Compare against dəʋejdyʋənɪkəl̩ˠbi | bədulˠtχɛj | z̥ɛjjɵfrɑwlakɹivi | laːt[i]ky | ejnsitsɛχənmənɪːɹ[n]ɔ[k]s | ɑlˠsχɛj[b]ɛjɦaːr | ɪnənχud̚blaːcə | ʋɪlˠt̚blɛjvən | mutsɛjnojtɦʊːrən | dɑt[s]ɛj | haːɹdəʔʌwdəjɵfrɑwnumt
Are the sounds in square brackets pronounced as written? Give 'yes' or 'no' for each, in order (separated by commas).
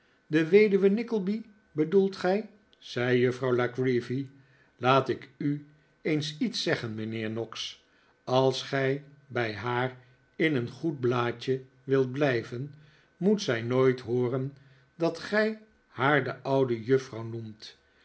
no, yes, yes, yes, no